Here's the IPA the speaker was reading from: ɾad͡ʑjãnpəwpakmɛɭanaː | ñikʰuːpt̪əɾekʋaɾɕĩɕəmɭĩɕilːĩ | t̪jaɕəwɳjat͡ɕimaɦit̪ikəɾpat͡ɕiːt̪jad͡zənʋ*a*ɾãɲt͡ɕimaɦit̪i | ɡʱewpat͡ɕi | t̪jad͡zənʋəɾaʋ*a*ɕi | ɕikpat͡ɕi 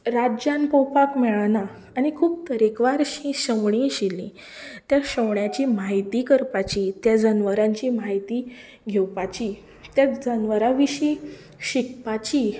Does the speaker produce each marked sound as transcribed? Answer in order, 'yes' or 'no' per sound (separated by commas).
no, no